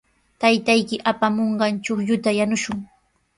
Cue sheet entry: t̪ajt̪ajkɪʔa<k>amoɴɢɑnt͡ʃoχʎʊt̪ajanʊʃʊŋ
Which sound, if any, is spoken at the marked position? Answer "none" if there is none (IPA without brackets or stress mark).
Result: p